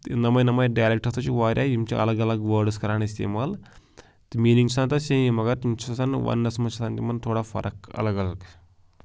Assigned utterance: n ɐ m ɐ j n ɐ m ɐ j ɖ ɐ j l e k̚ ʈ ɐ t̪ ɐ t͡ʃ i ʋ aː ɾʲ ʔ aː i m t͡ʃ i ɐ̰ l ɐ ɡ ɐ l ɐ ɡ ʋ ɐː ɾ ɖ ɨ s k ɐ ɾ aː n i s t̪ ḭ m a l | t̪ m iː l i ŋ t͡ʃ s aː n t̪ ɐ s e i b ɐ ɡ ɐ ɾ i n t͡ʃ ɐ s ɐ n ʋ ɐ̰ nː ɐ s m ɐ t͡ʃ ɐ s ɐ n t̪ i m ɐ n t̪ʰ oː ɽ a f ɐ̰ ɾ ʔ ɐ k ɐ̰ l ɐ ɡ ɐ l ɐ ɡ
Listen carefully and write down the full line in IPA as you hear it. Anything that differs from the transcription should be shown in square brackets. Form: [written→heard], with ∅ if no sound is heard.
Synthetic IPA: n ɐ m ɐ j n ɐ m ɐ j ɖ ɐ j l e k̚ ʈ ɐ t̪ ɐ t͡ʃ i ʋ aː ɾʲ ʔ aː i m t͡ʃ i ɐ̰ l ɐ ɡ ɐ l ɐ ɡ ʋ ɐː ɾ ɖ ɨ s k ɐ ɾ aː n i s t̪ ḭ m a l | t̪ m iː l i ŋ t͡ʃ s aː n t̪ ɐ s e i [b→m] ɐ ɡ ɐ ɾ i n t͡ʃ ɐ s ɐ n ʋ ɐ̰ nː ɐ s m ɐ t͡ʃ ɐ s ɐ n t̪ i m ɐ n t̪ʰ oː ɽ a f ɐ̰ ɾ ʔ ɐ k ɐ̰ l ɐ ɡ ɐ l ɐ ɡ